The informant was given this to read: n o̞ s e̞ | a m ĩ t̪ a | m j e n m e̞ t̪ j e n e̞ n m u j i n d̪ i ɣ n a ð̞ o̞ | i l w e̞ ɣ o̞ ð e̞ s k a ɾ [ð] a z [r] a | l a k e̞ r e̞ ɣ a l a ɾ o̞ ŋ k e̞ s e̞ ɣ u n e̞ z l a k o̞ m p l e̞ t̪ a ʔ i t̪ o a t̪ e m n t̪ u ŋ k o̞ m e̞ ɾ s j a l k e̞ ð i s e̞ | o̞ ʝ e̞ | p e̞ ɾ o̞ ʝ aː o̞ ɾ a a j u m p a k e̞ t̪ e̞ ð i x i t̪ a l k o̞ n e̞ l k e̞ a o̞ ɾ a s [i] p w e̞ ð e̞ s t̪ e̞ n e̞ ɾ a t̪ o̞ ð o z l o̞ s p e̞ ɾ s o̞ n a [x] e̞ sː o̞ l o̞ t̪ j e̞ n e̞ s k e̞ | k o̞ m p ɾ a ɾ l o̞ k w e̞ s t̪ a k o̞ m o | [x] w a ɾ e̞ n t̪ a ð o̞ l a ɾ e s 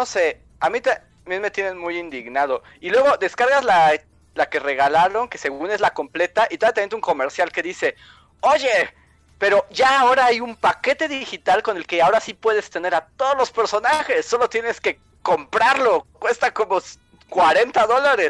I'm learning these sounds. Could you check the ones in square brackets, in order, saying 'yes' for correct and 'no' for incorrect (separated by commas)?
no, no, yes, yes, no